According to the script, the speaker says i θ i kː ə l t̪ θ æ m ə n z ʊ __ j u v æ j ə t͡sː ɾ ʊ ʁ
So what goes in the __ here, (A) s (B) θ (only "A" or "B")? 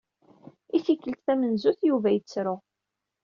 B